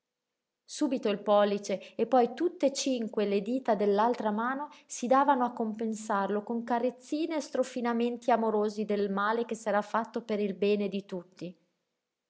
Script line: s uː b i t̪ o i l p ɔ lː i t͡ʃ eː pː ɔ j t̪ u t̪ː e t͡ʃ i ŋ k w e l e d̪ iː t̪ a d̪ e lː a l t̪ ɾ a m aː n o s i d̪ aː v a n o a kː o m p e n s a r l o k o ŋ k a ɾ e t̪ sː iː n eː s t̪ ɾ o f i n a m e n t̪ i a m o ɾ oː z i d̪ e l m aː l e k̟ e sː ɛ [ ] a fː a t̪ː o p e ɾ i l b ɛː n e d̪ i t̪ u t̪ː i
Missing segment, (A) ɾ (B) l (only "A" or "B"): A